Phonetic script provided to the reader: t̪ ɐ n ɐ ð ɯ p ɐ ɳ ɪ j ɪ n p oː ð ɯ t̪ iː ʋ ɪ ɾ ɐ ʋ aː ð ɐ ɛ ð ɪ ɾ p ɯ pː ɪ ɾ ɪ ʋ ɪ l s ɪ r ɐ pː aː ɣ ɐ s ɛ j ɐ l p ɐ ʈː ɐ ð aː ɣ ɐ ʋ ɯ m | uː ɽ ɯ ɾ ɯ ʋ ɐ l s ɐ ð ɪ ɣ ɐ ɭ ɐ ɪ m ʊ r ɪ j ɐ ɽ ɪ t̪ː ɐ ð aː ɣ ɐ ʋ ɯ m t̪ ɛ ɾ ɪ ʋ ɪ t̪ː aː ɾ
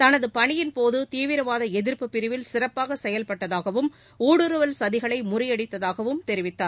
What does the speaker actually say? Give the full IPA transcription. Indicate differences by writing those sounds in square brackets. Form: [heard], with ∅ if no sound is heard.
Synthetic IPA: t̪ ɐ n ɐ ð ɯ p ɐ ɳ ɪ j ɪ n p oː ð ɯ t̪ iː ʋ ɪ ɾ ɐ ʋ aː ð ɐ ɛ ð ɪ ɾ p ɯ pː ɪ ɾ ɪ ʋ ɪ l s ɪ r ɐ pː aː ɣ ɐ s ɛ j ɐ l p ɐ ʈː ɐ ð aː ɣ ɐ ʋ ɯ m | uː ɽ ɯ ɾ ɯ ʋ ɐ l s ɐ ð ɪ ɣ ɐ ɭ ɐ ɪ m ʊ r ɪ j ɐ ɽ ɪ t̪ː ɐ ð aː ɣ ɐ ʋ ɯ m t̪ ɛ ɾ ɪ ʋ ɪ t̪ː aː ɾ

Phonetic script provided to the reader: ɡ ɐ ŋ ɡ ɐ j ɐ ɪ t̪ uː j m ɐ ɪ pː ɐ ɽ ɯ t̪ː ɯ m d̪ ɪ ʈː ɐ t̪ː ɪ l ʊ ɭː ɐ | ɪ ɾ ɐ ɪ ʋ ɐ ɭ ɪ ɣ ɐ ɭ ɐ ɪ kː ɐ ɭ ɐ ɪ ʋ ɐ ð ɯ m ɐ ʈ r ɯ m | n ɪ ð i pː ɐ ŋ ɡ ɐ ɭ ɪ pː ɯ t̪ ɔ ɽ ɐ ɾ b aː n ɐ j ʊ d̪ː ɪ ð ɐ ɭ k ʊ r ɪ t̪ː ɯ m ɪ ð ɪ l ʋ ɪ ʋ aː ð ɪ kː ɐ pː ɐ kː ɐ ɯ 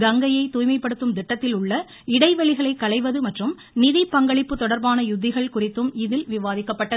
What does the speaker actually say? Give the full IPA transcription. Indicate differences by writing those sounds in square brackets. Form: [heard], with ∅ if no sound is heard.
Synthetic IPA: ɡ ɐ ŋ ɡ ɐ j ɐ ɪ t̪ uː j m ɐ ɪ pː ɐ ɽ ɯ t̪ː ɯ m d̪ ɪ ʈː ɐ t̪ː ɪ l ʊ ɭː ɐ | ɪ [ɽ] ɐ ɪ ʋ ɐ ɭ ɪ ɣ ɐ ɭ ɐ ɪ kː ɐ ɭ ɐ ɪ ʋ ɐ ð ɯ m ɐ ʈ r ɯ m | n ɪ ð i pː ɐ ŋ ɡ ɐ ɭ ɪ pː ɯ t̪ ɔ ɽ ɐ ɾ b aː n ɐ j ʊ d̪ː ɪ [ɣ] ɐ ɭ k ʊ r ɪ t̪ː ɯ m ɪ ð ɪ l ʋ ɪ ʋ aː ð ɪ kː ɐ pː ɐ [ʈː] ɐ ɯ

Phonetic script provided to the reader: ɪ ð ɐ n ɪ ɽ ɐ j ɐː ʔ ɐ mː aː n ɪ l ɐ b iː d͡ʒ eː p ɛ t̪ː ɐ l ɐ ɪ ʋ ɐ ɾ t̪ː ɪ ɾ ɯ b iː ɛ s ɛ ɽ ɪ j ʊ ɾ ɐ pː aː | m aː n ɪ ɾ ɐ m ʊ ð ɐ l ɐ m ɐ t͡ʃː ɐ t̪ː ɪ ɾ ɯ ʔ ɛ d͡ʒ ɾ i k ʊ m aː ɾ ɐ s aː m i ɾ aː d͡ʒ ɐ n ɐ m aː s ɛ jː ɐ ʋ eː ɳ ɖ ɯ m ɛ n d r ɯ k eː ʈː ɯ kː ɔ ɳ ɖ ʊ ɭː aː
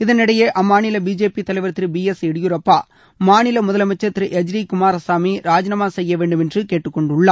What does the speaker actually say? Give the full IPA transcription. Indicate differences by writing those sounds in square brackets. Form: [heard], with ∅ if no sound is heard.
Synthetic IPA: ɪ ð ɐ n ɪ ɽ ɐ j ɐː ʔ ɐ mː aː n ɪ l ɐ b iː d͡ʒ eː p [i] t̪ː ɐ l ɐ ɪ ʋ ɐ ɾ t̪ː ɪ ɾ ɯ b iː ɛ s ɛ ɽ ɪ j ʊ ɾ ɐ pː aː | m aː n ɪ [l] ɐ m ʊ ð ɐ l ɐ m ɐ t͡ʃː ɐ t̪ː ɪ ɾ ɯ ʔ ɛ d͡ʒ ɾ i k ʊ m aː ɾ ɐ s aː m i ɾ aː d͡ʒ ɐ n ɐ m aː s ɛ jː ɐ ʋ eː ɳ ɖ ɯ m ɛ n d r ɯ k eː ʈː ɯ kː ɔ ɳ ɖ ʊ ɭː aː

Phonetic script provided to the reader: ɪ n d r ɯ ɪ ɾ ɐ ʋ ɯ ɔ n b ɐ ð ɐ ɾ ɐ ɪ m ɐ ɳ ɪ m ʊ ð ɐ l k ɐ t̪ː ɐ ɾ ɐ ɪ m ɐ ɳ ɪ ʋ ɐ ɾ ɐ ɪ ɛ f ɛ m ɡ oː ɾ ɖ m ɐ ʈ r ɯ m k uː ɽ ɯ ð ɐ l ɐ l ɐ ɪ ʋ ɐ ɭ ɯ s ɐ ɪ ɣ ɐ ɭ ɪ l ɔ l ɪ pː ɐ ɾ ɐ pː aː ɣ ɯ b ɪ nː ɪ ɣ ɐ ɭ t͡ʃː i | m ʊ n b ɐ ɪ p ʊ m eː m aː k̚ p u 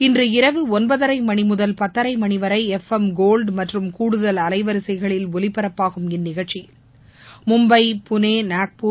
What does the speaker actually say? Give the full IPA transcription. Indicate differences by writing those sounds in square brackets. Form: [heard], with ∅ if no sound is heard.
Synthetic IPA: ɪ n d r ɯ ɪ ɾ ɐ ʋ ɯ ɔ n b ɐ ð ɐ ɾ ɐ ɪ m ɐ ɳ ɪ m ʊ ð ɐ l [p] ɐ t̪ː ɐ ɾ ɐ ɪ m ɐ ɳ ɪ ʋ ɐ ɾ ɐ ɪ ɛ f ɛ m ɡ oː [l] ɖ m ɐ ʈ r ɯ m k uː ɽ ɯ ð ɐ l ɐ l ɐ ɪ ʋ ɐ [ɾ] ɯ s ɐ ɪ ɣ ɐ ɭ ɪ l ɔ l ɪ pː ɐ ɾ ɐ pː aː ɣ ɯ [m] ɪ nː ɪ ɣ ɐ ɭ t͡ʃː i | m ʊ [m] b ɐ ɪ p ʊ [n] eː [n] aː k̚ p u

